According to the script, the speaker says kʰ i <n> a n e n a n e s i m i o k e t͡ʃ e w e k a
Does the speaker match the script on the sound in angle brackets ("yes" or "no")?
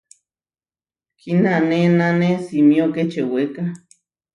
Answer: yes